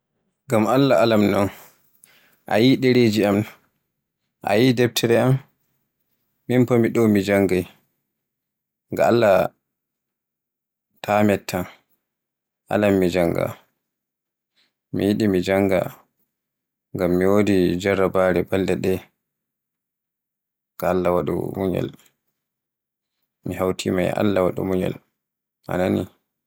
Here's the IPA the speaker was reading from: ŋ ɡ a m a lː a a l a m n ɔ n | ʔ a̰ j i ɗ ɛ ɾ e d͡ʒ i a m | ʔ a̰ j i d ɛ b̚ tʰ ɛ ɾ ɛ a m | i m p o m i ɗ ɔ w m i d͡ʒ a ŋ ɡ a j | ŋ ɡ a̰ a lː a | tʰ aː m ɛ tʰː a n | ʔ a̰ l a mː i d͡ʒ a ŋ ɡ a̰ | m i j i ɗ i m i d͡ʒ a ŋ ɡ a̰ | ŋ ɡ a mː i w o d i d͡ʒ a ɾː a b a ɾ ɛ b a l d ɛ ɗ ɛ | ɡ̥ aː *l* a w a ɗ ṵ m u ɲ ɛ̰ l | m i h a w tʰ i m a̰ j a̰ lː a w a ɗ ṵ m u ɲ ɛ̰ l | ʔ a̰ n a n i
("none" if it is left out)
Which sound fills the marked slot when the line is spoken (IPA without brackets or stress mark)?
lː